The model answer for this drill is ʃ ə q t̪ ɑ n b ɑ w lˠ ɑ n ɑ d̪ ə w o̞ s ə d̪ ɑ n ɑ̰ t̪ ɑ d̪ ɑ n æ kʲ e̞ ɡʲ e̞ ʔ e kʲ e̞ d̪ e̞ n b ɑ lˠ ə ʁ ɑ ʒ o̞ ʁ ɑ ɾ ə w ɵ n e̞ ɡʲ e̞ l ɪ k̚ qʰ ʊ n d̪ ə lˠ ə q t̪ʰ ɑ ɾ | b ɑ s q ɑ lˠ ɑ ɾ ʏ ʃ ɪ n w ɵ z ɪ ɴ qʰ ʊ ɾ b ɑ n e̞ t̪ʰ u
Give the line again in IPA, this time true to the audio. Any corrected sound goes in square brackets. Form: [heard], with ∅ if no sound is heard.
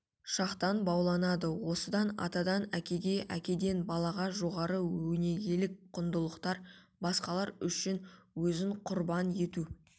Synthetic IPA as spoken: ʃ [ɑ] q t̪ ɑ n b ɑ w lˠ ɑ n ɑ d̪ ə w o̞ s ə d̪ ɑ n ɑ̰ t̪ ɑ d̪ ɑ n æ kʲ e̞ ɡʲ e̞ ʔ [æ] kʲ e̞ d̪ e̞ n b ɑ lˠ [ɑ] ʁ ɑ ʒ o̞ ʁ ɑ ɾ ə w ɵ n e̞ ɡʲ e̞ l ɪ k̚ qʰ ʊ n d̪ ə lˠ ə q [t̪] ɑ ɾ | b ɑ s q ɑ lˠ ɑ ɾ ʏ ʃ ɪ n w ɵ z ɪ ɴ qʰ ʊ ɾ b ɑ n e̞ [t̪] u